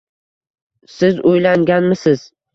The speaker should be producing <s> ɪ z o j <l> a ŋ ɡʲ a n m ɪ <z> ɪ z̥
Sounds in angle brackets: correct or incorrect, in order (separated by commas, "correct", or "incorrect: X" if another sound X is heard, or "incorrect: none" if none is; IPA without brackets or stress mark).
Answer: correct, correct, incorrect: s